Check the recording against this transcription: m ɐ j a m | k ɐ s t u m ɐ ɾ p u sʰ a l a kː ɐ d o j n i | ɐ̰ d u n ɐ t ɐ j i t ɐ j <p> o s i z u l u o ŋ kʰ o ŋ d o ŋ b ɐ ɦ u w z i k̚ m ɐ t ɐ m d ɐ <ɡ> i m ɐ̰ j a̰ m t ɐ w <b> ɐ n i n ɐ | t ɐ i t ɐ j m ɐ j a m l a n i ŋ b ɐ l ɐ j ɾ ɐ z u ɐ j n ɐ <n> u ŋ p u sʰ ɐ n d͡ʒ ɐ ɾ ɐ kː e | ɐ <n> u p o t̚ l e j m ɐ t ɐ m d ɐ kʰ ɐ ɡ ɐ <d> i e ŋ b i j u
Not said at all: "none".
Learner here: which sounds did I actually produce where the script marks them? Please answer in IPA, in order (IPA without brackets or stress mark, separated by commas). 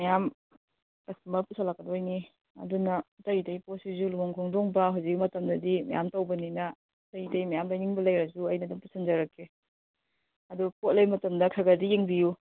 p, d, b, d, d, d